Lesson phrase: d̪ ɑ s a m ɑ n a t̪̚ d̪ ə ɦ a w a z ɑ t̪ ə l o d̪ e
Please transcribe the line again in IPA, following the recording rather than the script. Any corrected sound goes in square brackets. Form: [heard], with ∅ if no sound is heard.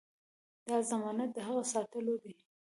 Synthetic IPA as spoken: d̪ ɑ [z] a m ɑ n a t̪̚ d̪ ə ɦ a [ɣ] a [s] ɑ t̪ ə l o d̪ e